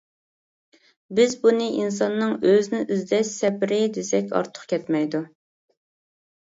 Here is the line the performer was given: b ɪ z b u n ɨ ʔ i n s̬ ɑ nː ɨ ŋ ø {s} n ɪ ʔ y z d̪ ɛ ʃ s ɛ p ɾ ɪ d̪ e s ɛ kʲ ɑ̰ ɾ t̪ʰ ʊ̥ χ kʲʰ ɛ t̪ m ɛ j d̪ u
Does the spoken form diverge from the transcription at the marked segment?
yes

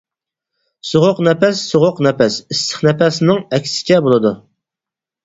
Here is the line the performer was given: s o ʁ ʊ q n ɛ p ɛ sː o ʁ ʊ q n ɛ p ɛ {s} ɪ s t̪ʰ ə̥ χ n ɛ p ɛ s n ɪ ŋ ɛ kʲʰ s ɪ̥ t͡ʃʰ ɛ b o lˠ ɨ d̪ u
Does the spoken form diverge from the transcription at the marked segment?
no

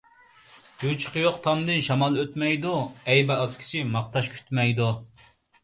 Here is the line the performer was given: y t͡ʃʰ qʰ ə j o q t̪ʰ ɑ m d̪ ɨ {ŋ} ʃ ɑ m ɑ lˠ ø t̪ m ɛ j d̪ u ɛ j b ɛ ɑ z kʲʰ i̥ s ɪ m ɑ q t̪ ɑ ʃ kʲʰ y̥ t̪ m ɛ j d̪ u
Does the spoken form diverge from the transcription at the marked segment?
yes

